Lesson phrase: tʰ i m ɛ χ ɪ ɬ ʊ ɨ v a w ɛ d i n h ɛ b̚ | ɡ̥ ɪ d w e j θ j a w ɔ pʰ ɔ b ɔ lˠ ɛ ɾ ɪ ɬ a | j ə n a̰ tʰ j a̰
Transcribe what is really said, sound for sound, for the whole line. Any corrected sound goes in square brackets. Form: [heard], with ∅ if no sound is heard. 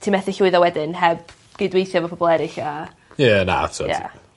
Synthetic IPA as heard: tʰ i m ɛ [θ] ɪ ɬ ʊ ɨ [ð] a w ɛ d [ɪ] n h ɛ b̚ | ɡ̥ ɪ d w e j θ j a [v] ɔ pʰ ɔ b ɔ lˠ ɛ ɾ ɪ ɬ a | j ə n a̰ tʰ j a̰